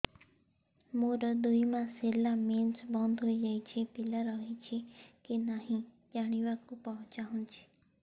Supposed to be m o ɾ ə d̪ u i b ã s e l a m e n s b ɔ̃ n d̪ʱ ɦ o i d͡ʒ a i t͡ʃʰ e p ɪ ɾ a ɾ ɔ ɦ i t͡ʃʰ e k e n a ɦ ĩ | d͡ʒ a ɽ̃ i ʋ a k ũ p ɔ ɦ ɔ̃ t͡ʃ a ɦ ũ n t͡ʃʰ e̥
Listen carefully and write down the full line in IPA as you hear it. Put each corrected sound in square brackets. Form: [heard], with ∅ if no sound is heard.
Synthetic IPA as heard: m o ɾ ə d̪ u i [m] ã s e l a m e n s b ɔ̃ n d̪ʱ ɦ o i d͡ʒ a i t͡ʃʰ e p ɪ [l] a ɾ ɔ ɦ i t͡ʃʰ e k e n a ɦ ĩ | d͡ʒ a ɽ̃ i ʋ a k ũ p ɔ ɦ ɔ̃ t͡ʃ a ɦ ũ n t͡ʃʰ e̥